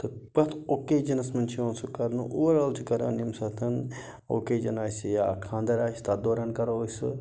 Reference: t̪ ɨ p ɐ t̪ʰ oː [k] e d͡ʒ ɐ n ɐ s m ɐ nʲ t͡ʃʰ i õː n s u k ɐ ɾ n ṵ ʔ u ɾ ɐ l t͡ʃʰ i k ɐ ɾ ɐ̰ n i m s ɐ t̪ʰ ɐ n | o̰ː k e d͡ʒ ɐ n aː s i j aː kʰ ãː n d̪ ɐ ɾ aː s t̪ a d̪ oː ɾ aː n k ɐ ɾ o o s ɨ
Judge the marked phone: correct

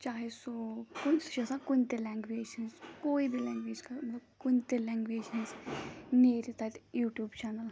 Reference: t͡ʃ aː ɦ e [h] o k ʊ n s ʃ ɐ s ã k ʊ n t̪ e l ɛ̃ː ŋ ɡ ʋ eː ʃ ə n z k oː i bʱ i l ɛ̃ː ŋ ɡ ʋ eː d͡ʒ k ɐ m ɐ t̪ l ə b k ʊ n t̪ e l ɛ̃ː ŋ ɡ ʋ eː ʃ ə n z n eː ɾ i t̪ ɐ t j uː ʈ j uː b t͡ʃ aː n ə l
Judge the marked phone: incorrect: s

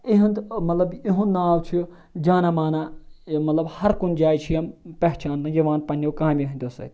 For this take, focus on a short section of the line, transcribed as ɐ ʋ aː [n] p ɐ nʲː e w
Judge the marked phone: correct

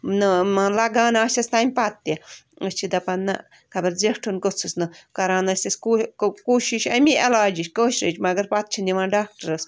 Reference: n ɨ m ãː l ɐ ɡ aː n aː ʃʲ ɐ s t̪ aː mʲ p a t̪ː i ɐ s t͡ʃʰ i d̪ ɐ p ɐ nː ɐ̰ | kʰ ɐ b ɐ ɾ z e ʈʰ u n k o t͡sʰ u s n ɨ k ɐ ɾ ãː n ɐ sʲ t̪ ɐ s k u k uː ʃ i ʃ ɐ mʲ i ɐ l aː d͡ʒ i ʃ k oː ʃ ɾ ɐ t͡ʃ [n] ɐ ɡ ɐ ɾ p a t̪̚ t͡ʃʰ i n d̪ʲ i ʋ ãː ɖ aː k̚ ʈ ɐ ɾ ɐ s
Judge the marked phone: incorrect: m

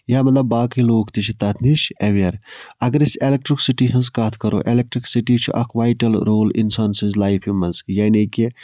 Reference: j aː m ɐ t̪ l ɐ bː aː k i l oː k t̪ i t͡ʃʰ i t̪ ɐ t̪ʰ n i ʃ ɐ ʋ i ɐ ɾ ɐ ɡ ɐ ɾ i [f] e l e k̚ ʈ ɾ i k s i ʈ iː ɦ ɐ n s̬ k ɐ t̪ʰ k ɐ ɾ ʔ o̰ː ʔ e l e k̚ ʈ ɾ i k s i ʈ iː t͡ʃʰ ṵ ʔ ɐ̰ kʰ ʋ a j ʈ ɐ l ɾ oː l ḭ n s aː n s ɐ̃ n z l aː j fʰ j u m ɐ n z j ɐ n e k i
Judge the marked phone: incorrect: s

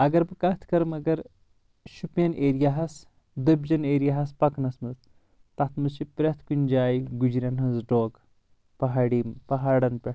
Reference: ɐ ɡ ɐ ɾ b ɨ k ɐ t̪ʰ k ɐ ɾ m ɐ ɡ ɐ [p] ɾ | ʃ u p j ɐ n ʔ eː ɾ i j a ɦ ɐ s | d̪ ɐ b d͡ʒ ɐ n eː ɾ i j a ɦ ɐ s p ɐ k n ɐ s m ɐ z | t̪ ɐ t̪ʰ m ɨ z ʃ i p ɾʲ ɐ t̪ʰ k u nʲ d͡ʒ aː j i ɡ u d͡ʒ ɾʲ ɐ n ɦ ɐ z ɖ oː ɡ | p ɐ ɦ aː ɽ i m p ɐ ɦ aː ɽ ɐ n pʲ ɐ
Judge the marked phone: incorrect: none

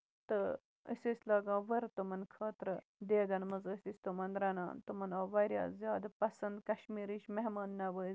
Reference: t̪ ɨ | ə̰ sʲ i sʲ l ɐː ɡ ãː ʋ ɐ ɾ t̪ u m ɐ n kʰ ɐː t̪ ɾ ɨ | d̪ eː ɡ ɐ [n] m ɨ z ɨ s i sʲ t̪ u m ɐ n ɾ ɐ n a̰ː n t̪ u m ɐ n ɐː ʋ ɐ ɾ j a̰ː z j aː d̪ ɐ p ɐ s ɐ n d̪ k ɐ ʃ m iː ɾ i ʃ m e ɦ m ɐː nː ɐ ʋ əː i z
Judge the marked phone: correct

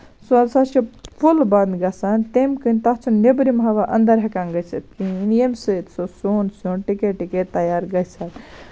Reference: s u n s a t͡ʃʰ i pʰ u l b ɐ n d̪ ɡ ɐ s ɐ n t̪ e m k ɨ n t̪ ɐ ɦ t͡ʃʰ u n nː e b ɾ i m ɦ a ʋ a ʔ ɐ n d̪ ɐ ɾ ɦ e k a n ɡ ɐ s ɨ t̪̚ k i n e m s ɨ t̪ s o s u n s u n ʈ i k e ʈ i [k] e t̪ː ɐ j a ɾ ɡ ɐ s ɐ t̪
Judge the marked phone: correct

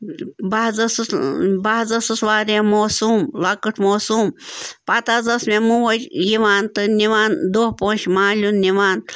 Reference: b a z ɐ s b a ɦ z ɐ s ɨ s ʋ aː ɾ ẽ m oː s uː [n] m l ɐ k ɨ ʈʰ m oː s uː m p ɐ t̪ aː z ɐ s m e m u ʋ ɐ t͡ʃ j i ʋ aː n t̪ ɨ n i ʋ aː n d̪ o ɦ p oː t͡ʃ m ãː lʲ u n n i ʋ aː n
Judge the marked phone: incorrect: none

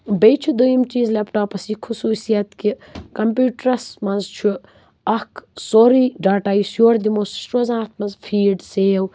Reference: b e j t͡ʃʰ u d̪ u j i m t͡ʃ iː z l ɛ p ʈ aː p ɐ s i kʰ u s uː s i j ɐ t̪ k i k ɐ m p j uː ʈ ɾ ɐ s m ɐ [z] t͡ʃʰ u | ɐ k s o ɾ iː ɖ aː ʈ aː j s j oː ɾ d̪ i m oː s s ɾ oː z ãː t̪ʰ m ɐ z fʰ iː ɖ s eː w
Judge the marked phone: correct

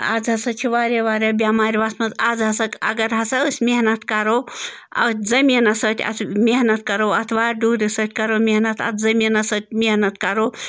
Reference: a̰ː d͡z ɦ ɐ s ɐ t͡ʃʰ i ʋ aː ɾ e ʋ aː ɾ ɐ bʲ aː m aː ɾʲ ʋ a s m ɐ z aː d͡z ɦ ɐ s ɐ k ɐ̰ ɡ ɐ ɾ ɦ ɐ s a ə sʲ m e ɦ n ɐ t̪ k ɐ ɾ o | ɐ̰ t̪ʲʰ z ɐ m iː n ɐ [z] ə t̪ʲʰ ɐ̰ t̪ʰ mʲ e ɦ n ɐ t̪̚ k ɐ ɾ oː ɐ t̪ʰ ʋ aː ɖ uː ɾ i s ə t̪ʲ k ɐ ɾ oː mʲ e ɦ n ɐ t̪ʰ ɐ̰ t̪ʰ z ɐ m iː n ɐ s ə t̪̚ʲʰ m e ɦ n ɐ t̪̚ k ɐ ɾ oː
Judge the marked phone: incorrect: s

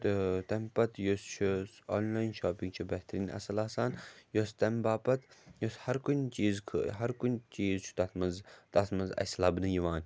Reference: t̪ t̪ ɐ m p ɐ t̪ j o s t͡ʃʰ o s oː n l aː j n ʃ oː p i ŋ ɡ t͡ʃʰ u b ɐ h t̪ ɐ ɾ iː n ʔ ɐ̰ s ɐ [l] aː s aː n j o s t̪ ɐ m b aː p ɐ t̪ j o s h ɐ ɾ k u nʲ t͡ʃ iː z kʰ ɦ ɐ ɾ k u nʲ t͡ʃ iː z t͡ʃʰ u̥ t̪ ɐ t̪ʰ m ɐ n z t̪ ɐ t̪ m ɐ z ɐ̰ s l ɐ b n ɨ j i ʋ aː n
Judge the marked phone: correct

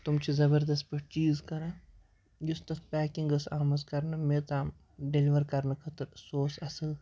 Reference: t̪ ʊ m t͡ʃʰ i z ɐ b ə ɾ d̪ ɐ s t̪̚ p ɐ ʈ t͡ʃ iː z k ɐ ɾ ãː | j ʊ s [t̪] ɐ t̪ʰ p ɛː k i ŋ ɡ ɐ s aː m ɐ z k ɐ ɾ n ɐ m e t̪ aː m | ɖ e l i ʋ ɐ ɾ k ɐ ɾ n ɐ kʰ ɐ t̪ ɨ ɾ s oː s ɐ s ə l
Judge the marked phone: correct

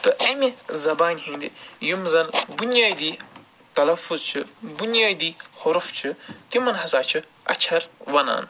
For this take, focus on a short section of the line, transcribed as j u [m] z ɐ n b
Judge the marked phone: correct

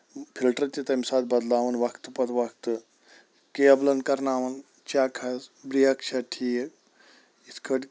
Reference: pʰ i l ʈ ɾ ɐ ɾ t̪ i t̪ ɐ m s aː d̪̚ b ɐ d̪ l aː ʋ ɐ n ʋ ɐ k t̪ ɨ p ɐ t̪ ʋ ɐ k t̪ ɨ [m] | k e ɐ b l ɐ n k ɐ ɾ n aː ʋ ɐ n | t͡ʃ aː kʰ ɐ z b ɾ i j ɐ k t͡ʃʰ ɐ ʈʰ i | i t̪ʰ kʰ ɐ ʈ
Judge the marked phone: incorrect: none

